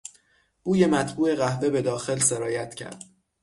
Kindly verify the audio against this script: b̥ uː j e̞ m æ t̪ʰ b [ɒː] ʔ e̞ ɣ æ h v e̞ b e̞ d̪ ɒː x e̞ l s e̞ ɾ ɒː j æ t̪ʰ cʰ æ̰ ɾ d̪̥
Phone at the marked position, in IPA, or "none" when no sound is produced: uː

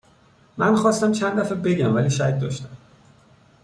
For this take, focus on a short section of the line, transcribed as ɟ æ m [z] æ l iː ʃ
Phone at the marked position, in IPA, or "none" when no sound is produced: v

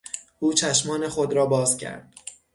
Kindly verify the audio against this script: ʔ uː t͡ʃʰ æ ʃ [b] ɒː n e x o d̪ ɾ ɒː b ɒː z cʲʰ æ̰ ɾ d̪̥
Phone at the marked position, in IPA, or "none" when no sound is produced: m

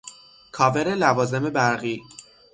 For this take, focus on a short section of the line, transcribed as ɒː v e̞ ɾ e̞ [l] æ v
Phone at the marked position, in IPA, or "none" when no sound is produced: l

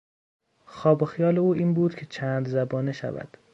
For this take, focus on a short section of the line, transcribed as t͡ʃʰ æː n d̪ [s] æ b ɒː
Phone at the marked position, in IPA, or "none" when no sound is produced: z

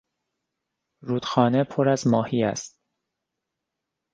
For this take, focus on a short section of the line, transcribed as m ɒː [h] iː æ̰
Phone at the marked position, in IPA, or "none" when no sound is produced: h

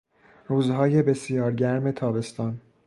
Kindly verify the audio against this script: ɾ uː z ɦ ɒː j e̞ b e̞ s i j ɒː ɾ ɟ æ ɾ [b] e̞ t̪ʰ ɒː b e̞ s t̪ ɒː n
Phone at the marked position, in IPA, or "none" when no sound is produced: m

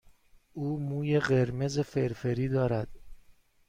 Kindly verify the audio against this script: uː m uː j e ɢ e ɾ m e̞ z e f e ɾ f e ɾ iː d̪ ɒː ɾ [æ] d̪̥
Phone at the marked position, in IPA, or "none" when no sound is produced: æ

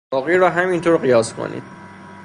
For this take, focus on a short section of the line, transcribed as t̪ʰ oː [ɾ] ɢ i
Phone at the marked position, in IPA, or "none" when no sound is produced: ɾ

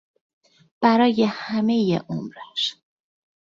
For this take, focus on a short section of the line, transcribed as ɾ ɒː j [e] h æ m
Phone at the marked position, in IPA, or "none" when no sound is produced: e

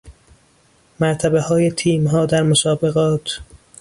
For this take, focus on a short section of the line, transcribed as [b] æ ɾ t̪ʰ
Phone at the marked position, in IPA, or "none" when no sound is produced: m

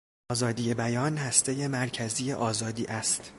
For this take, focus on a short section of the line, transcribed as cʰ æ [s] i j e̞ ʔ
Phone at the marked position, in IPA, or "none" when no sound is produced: z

